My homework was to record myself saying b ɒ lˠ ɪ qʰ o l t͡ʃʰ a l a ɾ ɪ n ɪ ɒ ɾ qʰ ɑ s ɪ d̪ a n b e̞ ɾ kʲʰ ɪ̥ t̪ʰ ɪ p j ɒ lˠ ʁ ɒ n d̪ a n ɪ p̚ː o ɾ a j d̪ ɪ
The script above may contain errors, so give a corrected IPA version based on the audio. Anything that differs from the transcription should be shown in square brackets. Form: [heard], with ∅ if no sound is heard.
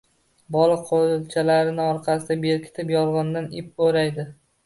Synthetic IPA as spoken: b ɒ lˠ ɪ qʰ o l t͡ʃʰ a l a ɾ ɪ n ɪ ɒ ɾ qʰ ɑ s ɪ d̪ a [∅] b e̞ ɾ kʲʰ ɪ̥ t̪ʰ ɪ p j ɒ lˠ ʁ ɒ n d̪ a n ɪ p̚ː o ɾ a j d̪ ɪ

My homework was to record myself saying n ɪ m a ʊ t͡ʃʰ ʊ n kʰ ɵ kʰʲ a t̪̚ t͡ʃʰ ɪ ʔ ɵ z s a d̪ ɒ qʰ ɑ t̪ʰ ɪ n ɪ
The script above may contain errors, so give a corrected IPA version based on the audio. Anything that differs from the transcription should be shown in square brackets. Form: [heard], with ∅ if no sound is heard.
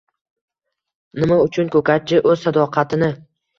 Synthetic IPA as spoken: n ɪ m a ʊ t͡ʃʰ ʊ n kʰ ɵ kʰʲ a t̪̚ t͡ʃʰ ɪ ʔ ɵ z s a d̪ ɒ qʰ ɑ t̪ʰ ɪ n ɪ

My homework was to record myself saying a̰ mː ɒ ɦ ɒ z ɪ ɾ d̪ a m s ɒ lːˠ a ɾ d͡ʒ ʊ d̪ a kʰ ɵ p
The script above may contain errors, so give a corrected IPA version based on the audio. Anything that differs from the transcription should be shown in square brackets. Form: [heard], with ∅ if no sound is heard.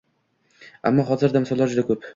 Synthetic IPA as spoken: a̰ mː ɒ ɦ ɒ z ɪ ɾ d̪ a m s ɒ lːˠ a ɾ d͡ʒ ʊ d̪ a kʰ ɵ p

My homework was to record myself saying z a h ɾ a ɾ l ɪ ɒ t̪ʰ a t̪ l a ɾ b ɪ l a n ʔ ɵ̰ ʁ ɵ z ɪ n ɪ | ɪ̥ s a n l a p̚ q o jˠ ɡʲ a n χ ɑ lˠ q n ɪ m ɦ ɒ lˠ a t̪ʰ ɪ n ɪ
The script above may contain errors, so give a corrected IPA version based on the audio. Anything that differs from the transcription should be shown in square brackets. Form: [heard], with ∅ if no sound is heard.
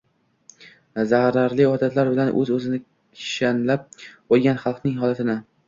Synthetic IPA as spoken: z a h ɾ a ɾ l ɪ ɒ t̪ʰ a t̪ l a ɾ b ɪ l a n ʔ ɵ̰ [z] ɵ z ɪ n ɪ | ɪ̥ [ʃ] a n l a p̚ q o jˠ ɡʲ a n χ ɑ lˠ q n ɪ [ŋ] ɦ ɒ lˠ a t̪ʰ ɪ n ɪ

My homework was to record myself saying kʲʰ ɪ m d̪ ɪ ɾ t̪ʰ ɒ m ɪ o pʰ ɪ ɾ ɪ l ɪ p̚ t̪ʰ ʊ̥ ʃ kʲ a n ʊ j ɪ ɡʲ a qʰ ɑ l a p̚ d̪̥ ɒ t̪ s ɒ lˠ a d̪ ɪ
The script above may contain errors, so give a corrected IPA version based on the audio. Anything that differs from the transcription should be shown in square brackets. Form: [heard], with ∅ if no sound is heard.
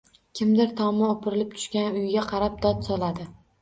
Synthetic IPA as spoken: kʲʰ ɪ m d̪ ɪ ɾ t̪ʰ ɒ m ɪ o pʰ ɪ ɾ ɪ l ɪ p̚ t̪ʰ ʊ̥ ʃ kʲ a n ʊ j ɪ ɡʲ a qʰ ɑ [ɾ] a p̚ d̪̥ ɒ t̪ s ɒ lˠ a d̪ ɪ

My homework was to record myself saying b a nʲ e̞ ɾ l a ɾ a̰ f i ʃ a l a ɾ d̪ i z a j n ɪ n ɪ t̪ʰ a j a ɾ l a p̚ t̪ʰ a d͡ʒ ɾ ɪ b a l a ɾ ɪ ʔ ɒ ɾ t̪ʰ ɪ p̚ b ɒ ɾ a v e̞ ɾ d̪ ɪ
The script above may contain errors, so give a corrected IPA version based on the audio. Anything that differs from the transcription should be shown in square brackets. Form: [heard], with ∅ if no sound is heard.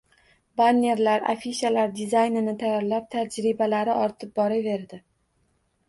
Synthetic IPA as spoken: b a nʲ e̞ ɾ l a ɾ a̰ f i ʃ a l a ɾ d̪ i z a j n ɪ n ɪ t̪ʰ a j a ɾ l a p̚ t̪ʰ a d͡ʒ ɾ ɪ b a l a ɾ ɪ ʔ ɒ ɾ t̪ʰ ɪ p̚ b ɒ ɾ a v e̞ ɾ d̪ ɪ

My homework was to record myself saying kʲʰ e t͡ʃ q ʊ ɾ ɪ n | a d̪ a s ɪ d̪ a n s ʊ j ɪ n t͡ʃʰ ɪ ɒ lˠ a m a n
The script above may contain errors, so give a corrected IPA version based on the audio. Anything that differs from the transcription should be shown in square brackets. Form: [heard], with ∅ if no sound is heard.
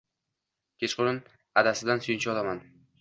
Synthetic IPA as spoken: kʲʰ e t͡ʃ q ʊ ɾ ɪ n | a d̪ a s ɪ d̪ a n s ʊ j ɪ n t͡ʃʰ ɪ ɒ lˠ a m a n

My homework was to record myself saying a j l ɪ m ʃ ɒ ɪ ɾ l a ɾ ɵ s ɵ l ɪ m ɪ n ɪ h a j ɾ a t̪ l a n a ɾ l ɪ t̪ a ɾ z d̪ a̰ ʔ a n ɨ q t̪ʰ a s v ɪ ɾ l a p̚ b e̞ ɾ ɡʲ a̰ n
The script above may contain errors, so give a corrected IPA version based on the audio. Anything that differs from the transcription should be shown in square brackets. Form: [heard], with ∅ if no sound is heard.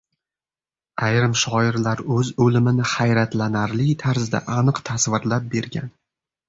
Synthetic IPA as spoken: a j [ɾ] ɪ m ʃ ɒ ɪ ɾ l a ɾ ɵ [z] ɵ l ɪ m ɪ n ɪ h a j ɾ a t̪ l a n a ɾ l ɪ [t̪ʰ] a ɾ z d̪ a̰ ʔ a n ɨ q t̪ʰ a s v ɪ ɾ l a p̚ b e̞ ɾ ɡʲ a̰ n

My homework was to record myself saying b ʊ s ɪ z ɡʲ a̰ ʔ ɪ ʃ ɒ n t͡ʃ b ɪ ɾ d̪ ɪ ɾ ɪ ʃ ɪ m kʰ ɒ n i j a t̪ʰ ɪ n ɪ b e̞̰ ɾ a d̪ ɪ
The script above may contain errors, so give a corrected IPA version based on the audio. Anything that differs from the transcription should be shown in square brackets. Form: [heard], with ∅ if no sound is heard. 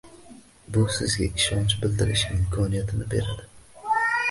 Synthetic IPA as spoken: b ʊ s ɪ z ɡʲ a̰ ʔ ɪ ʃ ɒ n t͡ʃ b ɪ [l] d̪ ɪ ɾ ɪ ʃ ɪ m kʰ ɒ n i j a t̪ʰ ɪ n ɪ b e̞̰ ɾ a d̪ ɪ

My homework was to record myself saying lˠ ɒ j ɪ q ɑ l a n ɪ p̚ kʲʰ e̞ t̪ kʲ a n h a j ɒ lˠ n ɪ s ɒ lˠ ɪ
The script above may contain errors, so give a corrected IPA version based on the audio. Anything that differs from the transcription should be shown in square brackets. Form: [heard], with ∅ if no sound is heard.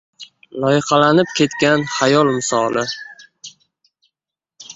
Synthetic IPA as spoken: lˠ ɒ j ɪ q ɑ l a n ɪ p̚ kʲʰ e̞ t̪ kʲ a n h a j ɒ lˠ [m] ɪ s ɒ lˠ ɪ

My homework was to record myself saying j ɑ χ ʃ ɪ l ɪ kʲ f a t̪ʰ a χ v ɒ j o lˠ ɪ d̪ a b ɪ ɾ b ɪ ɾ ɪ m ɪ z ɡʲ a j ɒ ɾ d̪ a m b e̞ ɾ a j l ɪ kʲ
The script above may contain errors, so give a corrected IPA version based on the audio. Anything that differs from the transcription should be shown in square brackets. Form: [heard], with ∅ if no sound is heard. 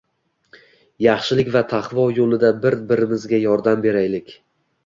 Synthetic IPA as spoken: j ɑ χ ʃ ɪ l ɪ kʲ [v] a t̪ʰ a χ v ɒ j o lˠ ɪ d̪ a b ɪ ɾ b ɪ ɾ ɪ m ɪ z ɡʲ a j ɒ ɾ d̪ a m b e̞ ɾ a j l ɪ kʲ

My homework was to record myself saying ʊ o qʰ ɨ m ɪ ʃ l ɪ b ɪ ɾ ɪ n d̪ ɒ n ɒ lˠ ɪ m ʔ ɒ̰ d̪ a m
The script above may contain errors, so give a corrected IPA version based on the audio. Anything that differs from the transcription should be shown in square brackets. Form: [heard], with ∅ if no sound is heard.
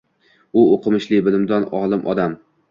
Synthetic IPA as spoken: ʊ o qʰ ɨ m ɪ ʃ l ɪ b ɪ [l] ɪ [m] d̪ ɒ n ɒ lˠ ɪ m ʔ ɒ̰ d̪ a m

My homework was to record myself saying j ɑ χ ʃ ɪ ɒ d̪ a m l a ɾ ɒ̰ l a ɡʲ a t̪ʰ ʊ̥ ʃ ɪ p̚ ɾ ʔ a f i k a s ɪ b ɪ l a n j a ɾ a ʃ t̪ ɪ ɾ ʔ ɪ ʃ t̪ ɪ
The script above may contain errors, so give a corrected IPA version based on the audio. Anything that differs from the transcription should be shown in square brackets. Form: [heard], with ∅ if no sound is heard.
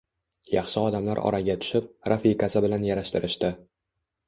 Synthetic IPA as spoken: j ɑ χ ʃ ɪ ɒ d̪ a m l a ɾ ɒ̰ [ɾ] a ɡʲ a t̪ʰ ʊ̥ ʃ ɪ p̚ ɾ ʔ a f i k a s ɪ b ɪ l a n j a ɾ a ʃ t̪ ɪ ɾ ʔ ɪ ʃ t̪ ɪ

